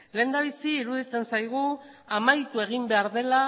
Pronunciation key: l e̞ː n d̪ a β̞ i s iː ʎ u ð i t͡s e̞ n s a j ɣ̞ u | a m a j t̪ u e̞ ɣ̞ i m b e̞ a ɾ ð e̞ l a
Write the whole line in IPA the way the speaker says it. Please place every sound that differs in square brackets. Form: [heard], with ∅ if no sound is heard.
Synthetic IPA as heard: l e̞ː n d̪ a β̞ i s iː [ɾ] u ð i t͡s e̞ n s a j ɣ̞ u | a m a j t̪ u e̞ ɣ̞ i m b e̞ a ɾ ð e̞ l a